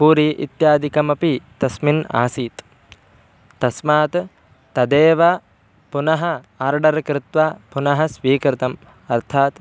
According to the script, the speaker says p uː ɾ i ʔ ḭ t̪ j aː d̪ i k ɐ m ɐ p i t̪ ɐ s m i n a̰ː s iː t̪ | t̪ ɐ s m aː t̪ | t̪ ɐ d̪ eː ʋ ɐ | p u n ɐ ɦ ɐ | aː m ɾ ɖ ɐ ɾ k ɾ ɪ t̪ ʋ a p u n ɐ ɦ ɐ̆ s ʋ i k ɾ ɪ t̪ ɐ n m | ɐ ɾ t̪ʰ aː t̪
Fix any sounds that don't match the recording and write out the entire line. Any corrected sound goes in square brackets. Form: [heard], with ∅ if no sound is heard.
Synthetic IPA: p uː ɾ i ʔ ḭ t̪ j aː d̪ i k ɐ m ɐ p i t̪ ɐ s m i n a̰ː s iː t̪ | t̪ ɐ s m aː t̪ | t̪ ɐ d̪ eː ʋ ɐ | p u n ɐ ɦ ɐ | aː [∅] ɾ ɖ ɐ ɾ k ɾ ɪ t̪ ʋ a p u n ɐ ɦ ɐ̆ s ʋ [iː] k ɾ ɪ t̪ ɐ [∅] m | ɐ ɾ t̪ʰ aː t̪